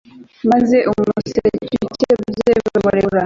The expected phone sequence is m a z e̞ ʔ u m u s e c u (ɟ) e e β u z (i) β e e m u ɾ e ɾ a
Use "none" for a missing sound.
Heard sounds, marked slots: c, e

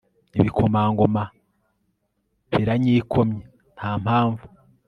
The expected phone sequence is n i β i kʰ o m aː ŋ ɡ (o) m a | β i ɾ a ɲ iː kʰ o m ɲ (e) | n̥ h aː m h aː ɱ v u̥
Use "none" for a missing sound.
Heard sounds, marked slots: o, e

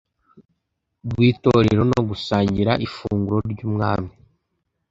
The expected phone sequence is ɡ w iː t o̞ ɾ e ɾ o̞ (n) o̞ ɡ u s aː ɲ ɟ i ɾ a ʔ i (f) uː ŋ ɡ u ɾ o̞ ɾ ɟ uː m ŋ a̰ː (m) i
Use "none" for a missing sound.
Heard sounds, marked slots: n, f, m

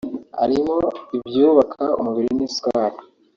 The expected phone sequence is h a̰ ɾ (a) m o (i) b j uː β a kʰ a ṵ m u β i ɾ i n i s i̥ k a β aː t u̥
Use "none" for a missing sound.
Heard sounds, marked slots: i, i

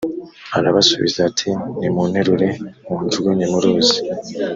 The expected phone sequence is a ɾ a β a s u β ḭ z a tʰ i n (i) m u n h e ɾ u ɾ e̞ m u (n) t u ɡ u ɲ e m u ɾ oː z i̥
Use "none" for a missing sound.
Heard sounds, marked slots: i, n

